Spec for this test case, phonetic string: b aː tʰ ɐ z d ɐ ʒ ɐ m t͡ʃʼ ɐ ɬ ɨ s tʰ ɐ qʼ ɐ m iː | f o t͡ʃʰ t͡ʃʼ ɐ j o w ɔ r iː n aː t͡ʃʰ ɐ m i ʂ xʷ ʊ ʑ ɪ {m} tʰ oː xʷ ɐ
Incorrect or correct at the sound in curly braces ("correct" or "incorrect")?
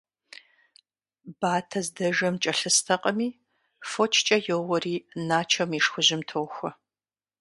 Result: correct